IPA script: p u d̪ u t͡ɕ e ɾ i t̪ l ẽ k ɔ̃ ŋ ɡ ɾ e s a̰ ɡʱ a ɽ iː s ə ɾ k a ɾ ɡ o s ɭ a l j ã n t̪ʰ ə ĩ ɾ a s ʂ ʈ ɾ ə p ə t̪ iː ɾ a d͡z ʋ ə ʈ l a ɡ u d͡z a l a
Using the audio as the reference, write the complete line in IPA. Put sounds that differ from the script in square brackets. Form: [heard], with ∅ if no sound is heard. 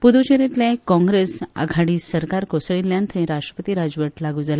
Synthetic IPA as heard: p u d̪ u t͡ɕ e ɾ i t̪ l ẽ k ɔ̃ ŋ ɡ ɾ e s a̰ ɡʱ a ɽ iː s ə ɾ k a ɾ [k] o s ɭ [i] l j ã n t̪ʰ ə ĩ ɾ a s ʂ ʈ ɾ ə p ə t̪ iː ɾ a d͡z ʋ ə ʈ l a ɡ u d͡z a l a